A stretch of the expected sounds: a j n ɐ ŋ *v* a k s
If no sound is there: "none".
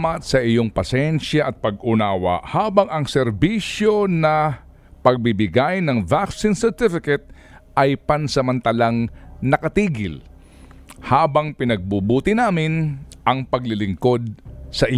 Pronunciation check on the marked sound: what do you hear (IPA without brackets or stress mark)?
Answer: v